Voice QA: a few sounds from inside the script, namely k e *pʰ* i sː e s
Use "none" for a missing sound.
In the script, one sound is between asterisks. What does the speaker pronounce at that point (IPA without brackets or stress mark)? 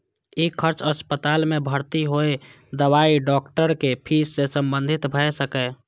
pʰ